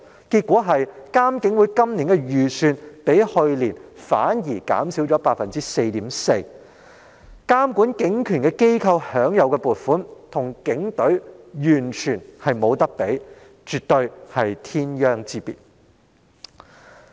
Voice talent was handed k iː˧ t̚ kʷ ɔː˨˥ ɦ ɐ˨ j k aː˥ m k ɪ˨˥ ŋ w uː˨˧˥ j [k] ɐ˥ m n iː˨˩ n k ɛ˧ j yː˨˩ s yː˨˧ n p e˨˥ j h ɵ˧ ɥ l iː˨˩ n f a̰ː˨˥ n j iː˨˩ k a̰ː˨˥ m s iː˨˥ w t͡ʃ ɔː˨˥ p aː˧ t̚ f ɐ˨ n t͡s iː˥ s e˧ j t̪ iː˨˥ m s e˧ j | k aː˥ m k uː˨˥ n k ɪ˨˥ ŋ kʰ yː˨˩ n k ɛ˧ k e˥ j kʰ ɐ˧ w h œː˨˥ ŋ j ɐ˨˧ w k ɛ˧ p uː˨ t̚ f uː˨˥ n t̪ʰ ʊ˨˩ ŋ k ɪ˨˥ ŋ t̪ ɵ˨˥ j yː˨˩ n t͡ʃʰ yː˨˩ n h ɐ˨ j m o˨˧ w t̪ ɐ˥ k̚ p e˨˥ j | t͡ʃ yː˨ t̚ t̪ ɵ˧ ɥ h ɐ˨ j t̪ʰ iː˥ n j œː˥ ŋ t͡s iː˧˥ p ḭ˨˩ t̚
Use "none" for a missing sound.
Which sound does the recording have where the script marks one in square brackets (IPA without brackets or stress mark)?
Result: k